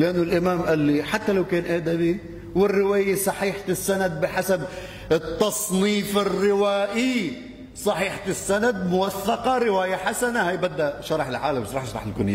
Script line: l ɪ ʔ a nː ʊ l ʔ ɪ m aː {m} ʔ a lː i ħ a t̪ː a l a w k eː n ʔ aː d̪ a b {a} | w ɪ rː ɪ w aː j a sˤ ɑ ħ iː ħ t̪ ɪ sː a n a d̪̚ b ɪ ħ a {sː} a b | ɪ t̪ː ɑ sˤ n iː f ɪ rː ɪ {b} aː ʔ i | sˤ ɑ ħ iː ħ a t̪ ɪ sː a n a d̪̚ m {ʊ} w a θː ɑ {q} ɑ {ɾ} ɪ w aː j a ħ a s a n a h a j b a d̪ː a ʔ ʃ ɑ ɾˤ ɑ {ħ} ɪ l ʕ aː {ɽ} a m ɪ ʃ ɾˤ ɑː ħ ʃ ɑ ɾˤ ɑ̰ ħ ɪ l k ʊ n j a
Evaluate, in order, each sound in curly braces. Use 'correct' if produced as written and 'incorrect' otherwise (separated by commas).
correct, incorrect, incorrect, incorrect, correct, correct, correct, correct, incorrect